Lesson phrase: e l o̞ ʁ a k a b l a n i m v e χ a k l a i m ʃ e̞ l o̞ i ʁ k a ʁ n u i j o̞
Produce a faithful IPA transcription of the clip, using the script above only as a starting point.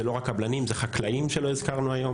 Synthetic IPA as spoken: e l o̞ ʁ a k a b l a n i m z e χ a k l a i m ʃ e̞ l o̞ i z k a ʁ n u a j o̞